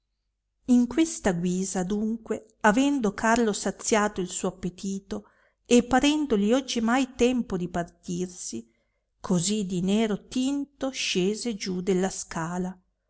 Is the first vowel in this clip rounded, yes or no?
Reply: no